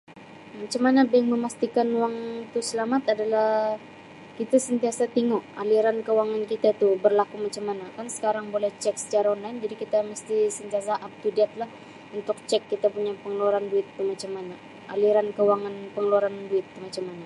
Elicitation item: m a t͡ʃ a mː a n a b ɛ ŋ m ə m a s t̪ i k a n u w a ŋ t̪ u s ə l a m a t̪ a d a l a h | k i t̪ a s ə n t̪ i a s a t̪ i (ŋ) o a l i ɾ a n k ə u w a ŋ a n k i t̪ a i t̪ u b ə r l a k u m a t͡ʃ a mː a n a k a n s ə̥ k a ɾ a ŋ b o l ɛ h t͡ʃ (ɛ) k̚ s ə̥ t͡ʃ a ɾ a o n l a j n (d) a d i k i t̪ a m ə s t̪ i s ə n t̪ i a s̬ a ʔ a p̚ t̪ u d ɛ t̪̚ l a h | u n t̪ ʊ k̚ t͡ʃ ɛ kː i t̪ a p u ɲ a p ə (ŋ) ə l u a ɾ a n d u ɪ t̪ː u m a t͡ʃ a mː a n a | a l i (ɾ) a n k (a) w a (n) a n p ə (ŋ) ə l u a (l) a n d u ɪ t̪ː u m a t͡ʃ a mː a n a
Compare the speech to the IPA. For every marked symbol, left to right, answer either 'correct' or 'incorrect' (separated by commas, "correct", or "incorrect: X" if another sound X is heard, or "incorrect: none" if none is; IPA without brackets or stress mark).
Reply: correct, correct, incorrect: d͡ʒ, correct, correct, incorrect: ə, incorrect: ŋ, correct, incorrect: ɾ